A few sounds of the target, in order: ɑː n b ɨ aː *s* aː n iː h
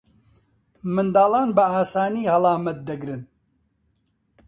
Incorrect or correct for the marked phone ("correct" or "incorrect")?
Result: correct